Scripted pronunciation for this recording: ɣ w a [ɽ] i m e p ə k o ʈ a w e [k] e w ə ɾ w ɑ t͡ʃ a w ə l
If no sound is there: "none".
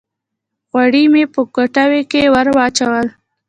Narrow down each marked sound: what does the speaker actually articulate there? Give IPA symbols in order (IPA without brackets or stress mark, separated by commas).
ɽ, k